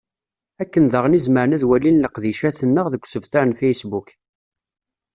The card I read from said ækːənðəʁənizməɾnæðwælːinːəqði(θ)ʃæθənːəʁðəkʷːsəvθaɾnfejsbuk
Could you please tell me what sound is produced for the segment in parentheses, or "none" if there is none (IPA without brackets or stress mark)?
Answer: none